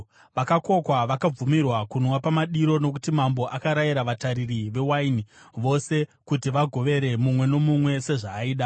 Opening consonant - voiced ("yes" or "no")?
yes